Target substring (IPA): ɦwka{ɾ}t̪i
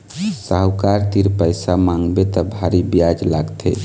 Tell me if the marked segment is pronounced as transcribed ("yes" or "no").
yes